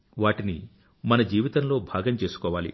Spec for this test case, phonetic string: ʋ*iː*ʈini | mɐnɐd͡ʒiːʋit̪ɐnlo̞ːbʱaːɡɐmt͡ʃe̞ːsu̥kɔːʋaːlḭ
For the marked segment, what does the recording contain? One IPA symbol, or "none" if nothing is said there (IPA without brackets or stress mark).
aː